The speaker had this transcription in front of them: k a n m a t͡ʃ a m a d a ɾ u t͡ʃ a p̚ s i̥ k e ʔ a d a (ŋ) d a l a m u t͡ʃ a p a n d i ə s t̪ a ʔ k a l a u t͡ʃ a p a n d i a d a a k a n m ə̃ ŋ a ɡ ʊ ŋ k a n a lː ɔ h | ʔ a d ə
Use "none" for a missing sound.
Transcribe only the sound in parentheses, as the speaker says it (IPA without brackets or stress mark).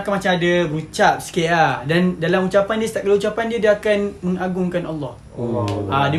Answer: n